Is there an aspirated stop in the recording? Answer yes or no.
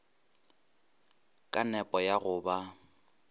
no